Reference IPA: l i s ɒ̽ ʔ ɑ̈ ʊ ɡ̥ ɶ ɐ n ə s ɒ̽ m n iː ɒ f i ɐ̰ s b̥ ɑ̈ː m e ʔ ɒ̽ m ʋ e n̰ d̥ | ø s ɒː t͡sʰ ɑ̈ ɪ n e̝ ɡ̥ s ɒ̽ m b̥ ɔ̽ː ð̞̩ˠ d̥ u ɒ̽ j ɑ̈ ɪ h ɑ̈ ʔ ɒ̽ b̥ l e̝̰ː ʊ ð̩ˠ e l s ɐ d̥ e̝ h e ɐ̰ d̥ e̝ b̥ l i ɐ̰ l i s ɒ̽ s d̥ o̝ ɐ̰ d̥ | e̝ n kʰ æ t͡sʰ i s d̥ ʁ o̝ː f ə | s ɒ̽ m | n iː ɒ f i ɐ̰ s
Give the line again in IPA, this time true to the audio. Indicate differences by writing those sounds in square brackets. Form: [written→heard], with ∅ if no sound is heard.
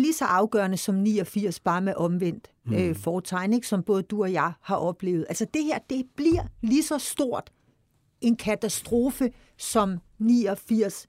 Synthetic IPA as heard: l i s ɒ̽ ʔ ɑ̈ ʊ ɡ̥ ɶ ɐ n ə s ɒ̽ m n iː ɒ f i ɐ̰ s b̥ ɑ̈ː m e ʔ ɒ̽ m ʋ e n̰ d̥ | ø [s→f] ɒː t͡sʰ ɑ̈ ɪ n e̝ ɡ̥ s ɒ̽ m b̥ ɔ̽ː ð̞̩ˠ d̥ u ɒ̽ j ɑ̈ ɪ h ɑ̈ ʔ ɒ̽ b̥ l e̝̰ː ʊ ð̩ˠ [e→æ] l s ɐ d̥ e̝ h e ɐ̰ d̥ e̝ b̥ l i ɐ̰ l i s ɒ̽ s d̥ o̝ ɐ̰ d̥ | e̝ n kʰ æ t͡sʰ [i→æ] s d̥ ʁ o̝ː f ə | s ɒ̽ m | n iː ɒ f i ɐ̰ s